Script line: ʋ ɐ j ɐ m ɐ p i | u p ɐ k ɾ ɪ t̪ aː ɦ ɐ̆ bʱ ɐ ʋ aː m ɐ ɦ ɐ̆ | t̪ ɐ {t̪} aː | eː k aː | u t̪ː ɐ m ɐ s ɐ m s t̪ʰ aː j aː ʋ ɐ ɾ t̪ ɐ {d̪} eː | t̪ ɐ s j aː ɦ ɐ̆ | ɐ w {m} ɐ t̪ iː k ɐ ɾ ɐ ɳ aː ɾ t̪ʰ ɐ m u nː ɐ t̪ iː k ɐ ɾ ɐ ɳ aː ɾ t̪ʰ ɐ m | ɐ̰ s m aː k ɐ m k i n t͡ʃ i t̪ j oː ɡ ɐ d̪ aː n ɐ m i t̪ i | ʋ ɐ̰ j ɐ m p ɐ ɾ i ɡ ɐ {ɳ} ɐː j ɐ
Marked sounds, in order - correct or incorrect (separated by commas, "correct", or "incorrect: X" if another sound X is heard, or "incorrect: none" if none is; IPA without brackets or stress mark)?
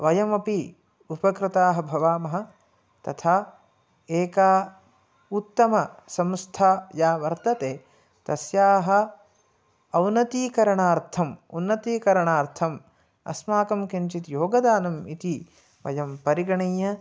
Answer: incorrect: t̪ʰ, incorrect: t̪, incorrect: n, correct